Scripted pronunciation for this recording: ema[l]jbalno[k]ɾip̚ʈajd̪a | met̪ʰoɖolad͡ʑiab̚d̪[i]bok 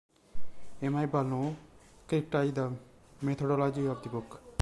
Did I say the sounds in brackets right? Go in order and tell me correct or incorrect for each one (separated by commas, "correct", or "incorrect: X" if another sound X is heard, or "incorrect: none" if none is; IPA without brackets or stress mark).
incorrect: none, correct, correct